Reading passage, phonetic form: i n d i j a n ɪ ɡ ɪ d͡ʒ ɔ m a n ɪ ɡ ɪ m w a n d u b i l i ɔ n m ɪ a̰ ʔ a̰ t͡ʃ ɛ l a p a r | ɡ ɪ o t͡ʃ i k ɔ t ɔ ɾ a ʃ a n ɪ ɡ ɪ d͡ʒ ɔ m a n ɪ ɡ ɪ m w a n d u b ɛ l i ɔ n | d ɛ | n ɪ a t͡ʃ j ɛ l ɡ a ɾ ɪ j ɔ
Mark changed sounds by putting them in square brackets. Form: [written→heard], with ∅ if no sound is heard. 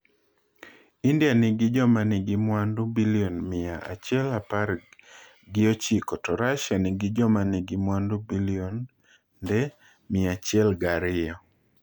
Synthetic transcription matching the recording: i n d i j a n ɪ ɡ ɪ d͡ʒ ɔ m a n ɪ ɡ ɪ m w a n d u b i l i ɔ n m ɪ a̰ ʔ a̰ t͡ʃ ɛ l a p a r | ɡ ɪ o t͡ʃ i k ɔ t ɔ ɾ a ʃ a n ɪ ɡ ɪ d͡ʒ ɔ m a n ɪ ɡ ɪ m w a n d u b [ɛ→i] l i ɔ n | d ɛ | [n→m] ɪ a t͡ʃ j ɛ l ɡ a ɾ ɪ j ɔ